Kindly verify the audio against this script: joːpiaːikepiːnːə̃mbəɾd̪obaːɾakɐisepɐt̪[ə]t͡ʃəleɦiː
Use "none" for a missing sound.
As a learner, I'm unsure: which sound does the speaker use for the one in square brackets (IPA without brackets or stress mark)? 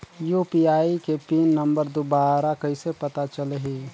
a